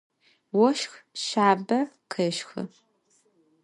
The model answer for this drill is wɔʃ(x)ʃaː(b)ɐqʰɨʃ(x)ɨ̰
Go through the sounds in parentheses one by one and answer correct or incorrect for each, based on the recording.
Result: correct, correct, correct

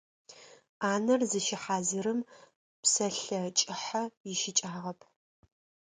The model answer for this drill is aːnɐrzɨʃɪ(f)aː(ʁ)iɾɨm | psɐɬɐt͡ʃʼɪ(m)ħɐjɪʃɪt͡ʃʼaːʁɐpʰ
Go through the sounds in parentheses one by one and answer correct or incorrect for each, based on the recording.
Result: incorrect: ħ, incorrect: z, incorrect: none

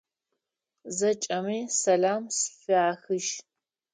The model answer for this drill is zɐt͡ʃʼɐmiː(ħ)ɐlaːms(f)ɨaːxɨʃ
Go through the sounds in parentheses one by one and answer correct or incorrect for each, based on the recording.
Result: incorrect: s, correct

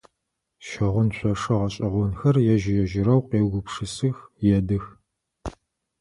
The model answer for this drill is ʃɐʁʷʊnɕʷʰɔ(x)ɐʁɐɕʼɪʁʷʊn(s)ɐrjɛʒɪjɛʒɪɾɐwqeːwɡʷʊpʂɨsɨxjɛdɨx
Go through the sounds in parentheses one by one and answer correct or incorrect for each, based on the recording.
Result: incorrect: ʂ, incorrect: x

